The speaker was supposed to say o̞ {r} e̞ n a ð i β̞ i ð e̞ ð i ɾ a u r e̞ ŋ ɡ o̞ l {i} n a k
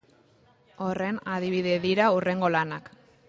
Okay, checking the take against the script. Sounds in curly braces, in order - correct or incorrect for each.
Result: correct, incorrect: a

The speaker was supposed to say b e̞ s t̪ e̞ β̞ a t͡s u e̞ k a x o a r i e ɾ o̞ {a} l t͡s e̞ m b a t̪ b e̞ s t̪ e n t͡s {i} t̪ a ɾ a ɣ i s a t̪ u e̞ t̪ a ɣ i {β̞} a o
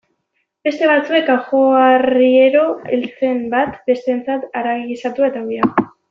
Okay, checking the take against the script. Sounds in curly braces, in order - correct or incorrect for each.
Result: incorrect: e, incorrect: a, incorrect: none

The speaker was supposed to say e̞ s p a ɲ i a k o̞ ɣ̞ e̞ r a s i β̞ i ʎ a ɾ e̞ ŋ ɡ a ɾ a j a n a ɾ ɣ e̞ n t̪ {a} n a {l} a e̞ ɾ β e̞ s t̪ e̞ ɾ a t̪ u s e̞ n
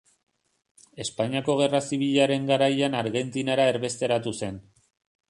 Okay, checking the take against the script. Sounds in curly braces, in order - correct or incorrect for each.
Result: incorrect: i, incorrect: ɾ

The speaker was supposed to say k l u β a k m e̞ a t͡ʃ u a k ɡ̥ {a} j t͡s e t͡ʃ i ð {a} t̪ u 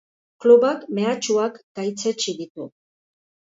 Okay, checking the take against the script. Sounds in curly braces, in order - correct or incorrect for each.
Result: correct, incorrect: i

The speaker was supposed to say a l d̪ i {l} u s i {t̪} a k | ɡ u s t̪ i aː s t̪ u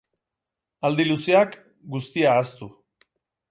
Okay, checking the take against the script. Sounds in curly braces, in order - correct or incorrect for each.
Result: correct, incorrect: none

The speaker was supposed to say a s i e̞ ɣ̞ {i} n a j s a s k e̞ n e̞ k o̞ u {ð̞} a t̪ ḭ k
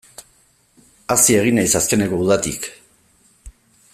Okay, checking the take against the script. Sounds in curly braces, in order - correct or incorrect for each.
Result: correct, correct

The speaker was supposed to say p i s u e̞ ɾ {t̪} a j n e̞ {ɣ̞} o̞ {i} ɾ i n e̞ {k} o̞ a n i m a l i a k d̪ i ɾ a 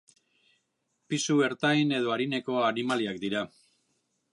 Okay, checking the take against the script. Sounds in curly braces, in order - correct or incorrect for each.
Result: correct, incorrect: ð̞, incorrect: a, correct

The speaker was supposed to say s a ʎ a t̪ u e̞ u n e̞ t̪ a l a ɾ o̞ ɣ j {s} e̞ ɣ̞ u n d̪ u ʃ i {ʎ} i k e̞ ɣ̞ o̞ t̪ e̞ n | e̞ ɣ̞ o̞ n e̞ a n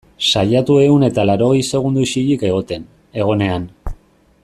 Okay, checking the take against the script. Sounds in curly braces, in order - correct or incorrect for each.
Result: correct, correct

